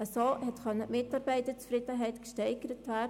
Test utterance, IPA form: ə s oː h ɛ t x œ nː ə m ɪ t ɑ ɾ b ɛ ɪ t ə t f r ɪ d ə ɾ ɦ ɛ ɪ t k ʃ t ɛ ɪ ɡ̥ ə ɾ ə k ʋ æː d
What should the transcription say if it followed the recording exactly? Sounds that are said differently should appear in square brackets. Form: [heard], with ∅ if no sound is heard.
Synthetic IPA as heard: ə s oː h ɛ t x œ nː ə m ɪ t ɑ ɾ b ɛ ɪ t ə [t͡s] f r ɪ d ə [∅] ɦ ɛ ɪ t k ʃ t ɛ ɪ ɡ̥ ə ɾ ə [t] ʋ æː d